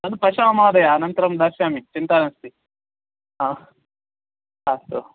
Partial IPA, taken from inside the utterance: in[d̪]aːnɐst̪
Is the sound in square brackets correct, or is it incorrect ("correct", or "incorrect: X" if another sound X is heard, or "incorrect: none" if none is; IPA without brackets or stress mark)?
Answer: incorrect: t̪